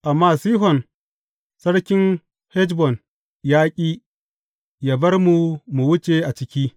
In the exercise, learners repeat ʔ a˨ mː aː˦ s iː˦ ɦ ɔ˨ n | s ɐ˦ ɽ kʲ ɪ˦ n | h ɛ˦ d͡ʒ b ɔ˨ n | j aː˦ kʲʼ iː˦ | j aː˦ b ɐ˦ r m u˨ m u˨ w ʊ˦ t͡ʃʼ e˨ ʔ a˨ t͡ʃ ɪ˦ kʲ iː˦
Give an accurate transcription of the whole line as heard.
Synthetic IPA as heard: ʔ a˨ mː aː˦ s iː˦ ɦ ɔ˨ n | s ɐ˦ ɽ kʲ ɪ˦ n | h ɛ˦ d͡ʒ b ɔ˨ n | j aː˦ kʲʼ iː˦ | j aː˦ b ɐ˦ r m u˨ m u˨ w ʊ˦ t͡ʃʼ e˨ ʔ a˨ t͡ʃ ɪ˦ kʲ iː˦

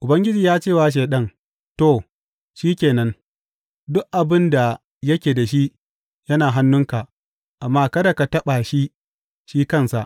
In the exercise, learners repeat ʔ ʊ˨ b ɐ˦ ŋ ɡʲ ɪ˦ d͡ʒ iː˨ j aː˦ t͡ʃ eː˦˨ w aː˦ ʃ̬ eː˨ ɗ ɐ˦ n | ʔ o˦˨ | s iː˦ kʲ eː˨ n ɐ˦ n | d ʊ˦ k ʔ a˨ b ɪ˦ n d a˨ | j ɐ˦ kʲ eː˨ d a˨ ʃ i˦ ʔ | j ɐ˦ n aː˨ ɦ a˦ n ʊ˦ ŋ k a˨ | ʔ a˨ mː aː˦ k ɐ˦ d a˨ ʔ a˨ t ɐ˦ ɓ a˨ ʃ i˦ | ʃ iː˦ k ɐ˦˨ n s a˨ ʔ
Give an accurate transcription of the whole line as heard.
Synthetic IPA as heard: ʔ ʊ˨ b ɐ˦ ŋ ɡʲ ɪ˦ d͡ʒ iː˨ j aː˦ t͡ʃ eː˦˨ w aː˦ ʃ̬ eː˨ ɗ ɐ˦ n | t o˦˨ | ʃ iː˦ kʲ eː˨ n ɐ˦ n | d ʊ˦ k ʔ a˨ b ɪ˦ n d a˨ | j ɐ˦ kʲ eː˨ d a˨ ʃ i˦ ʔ | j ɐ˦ n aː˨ ɦ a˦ nː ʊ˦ ŋ k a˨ | ʔ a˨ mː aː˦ k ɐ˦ d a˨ k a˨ t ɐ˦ ɓ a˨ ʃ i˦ | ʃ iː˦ k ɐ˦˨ n s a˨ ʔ

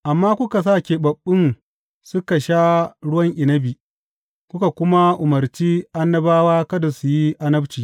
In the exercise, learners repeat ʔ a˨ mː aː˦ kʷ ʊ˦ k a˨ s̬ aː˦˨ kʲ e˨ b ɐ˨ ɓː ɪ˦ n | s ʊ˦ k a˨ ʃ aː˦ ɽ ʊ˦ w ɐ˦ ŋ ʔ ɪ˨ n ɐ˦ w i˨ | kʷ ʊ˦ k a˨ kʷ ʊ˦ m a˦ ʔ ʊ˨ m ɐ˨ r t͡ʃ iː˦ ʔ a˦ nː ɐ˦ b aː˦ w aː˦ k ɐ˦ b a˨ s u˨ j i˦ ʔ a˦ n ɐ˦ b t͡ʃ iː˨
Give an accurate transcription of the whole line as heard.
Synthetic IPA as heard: ʔ a˨ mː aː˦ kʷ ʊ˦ k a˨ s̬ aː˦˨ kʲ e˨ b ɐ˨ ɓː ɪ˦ n | s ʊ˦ k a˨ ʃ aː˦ ɽ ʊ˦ w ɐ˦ ŋ ʔ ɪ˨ n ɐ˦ b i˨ | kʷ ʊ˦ k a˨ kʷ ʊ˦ m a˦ ʔ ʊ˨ m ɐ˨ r t͡ʃ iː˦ ʔ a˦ nː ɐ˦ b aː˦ w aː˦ k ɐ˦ d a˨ s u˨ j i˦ ʔ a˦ n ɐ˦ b t͡ʃ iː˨

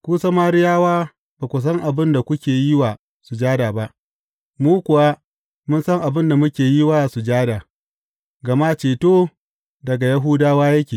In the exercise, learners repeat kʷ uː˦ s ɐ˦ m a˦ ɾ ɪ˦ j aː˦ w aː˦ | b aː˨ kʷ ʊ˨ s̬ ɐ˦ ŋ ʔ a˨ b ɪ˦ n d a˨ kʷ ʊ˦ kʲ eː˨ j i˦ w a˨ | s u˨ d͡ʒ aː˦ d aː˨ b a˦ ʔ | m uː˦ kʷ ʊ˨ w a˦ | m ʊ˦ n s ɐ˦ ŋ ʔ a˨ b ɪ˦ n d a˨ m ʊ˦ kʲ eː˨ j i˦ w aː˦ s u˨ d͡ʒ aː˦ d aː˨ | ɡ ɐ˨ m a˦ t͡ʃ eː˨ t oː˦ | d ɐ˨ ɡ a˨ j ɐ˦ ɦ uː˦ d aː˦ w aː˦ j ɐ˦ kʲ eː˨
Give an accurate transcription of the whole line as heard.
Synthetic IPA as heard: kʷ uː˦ s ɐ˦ m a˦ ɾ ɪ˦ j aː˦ w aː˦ | b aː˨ kʷ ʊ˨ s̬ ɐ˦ ŋ ʔ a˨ b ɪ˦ n d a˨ kʷ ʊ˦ kʲ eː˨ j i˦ w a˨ | s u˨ d͡ʒ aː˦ d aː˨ b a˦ ʔ | m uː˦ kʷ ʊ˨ w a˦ | m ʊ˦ n s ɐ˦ ŋ ʔ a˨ b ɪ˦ n d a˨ m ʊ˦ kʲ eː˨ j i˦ w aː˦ s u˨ d͡ʒ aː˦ d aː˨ | ɡ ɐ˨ m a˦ t͡ʃ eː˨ t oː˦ | d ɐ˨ ɡ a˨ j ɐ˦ ɦ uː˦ d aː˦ w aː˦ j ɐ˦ kʲ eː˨

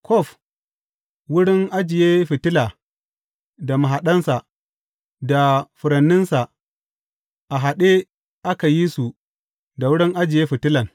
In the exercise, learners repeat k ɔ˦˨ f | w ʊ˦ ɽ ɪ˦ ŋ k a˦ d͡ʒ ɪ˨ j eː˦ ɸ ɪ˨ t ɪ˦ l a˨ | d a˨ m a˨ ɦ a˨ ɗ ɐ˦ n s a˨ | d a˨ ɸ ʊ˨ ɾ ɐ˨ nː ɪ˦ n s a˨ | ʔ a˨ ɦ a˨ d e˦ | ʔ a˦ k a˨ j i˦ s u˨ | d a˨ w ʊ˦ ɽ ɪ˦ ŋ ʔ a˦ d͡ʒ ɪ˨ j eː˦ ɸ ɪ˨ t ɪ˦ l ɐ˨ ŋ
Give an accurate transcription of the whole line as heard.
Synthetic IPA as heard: k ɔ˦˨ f | w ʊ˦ ɽ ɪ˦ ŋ ʔ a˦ d͡ʒ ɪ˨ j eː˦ ɸ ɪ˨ t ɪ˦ l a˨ | d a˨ m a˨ ɦ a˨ ɗ ɐ˦ n s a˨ | d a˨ ɸ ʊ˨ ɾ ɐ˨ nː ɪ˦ n s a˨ | ʔ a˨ ɦ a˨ ɗ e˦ | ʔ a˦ k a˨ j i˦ s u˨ | d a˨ w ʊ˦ ɽ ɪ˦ ŋ ʔ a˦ d͡ʒ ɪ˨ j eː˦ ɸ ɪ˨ t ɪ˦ l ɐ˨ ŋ

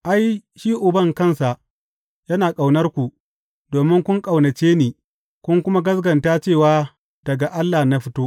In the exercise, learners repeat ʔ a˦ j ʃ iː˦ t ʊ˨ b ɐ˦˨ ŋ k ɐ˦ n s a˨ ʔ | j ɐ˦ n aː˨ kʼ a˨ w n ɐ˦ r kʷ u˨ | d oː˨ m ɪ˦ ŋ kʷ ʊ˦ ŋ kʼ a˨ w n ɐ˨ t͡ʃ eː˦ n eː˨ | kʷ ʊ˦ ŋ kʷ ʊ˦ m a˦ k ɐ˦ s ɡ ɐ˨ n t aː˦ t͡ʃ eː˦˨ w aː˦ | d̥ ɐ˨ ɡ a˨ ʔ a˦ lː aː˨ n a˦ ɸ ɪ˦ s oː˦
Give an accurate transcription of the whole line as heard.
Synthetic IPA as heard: ʔ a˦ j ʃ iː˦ ʔ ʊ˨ b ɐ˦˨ ŋ k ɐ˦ n s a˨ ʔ | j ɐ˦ n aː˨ kʼ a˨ w n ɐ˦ r kʷ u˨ | d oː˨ m ɪ˦ ŋ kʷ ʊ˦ ŋ kʼ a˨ w n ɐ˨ t͡ʃ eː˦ n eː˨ | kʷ ʊ˦ ŋ kʷ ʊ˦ m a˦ ɡ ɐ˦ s ɡ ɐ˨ n t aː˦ t͡ʃ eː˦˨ w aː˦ | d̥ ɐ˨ ɡ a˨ ʔ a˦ lː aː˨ n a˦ ɸ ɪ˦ t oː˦

